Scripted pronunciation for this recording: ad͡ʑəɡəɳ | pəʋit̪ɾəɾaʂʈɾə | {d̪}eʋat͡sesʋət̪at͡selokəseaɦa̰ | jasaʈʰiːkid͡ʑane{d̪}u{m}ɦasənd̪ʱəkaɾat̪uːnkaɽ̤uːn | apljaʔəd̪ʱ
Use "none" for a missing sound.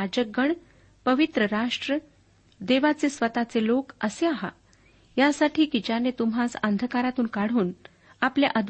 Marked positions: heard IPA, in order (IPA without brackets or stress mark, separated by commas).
d̪, t̪, m